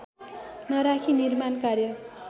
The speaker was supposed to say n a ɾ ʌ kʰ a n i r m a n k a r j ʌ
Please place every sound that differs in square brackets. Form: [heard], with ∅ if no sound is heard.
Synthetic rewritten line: n [ʌ] ɾ [a] kʰ [i] n i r m a n k a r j ʌ